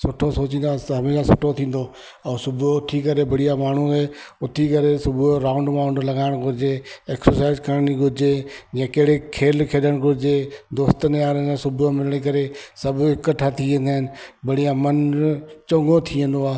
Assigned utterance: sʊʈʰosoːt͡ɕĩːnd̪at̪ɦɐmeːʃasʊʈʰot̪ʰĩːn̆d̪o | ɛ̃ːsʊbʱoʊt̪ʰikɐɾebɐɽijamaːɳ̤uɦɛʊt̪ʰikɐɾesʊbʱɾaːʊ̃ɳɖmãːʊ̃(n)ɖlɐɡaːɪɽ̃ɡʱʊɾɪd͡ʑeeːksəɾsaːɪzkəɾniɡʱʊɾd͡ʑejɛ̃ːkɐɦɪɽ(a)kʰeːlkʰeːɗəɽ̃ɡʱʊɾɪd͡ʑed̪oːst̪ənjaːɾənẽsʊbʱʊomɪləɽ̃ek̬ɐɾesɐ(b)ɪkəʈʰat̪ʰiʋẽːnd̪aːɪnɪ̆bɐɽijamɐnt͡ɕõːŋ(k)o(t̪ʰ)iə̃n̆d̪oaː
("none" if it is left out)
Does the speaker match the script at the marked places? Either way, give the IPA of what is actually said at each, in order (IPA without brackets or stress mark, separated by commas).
ɳ, e, b, ɡ, t̪ʰ